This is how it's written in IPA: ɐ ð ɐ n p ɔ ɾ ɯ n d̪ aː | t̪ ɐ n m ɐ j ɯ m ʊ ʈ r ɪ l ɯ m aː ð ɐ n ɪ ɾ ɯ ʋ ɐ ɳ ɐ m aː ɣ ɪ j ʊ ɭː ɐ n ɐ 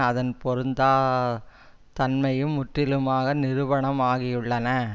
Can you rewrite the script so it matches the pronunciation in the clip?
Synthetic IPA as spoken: ɐ ð ɐ n p ɔ ɾ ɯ n d̪ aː | t̪ ɐ n m ɐ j ɯ m ʊ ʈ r ɪ l ɯ m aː ɣ ɐ n ɪ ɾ ɯ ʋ ɐ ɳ ɐ m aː ɣ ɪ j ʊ ɭː ɐ n ɐ